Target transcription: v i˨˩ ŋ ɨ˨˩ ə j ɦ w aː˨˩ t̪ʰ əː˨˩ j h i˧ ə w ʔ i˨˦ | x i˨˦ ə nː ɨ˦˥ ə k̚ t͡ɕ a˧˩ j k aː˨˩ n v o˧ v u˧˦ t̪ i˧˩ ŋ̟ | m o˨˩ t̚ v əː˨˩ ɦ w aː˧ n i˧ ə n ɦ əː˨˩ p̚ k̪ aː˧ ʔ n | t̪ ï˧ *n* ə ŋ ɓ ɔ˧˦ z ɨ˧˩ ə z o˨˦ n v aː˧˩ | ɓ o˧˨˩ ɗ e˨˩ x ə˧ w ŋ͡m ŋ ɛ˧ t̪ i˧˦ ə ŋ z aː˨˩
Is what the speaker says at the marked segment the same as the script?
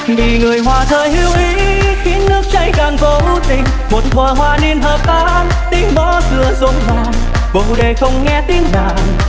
no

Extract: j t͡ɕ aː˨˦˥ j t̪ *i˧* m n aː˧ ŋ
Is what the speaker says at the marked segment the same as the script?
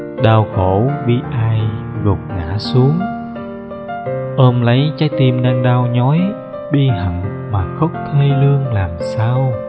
yes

